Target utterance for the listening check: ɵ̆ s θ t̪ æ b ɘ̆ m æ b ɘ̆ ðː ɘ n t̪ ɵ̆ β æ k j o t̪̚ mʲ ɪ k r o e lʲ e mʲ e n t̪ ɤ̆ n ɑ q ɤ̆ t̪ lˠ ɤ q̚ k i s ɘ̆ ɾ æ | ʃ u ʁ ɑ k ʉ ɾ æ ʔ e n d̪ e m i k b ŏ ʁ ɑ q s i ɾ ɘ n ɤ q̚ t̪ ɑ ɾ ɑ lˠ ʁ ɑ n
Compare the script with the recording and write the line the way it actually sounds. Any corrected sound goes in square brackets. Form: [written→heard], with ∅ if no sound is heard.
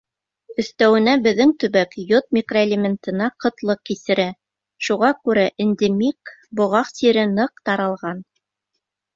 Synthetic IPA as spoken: ɵ̆ [s→∅] θ t̪ æ [b→w] ɘ̆ [m→n] æ b ɘ̆ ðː ɘ [n→ŋ] t̪ ɵ̆ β æ k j o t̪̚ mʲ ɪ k r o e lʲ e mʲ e n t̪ ɤ̆ n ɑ q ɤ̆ t̪ lˠ ɤ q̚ k i s ɘ̆ ɾ æ | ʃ u ʁ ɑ k ʉ ɾ æ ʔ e n d̪ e m i k b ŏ ʁ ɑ q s i ɾ ɘ n ɤ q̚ t̪ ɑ ɾ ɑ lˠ ʁ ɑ n